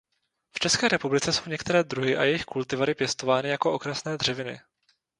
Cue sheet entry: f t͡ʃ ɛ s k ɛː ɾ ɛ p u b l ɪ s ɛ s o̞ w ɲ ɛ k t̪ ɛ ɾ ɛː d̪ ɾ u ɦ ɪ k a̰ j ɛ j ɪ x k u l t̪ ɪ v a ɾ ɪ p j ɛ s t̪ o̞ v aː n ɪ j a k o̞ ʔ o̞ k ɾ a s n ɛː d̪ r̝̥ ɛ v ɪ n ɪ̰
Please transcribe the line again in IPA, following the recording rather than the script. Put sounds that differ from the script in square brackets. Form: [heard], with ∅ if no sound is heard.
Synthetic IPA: f t͡ʃ ɛ s k ɛː ɾ ɛ p u b l ɪ [t͡s] ɛ s o̞ w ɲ ɛ k t̪ ɛ ɾ ɛː d̪ ɾ u ɦ ɪ [ʔ] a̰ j ɛ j ɪ x k u l t̪ ɪ v a ɾ ɪ p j ɛ s t̪ o̞ v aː n ɪ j a k o̞ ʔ o̞ k ɾ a s n ɛː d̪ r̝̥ ɛ v ɪ n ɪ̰